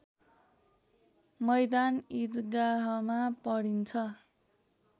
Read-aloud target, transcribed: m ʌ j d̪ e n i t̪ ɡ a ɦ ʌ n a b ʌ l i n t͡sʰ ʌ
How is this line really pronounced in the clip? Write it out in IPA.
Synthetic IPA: m ʌ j d̪ a n i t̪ ɡ a ɦ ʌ m a p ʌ ɽ i n t͡sʰ ʌ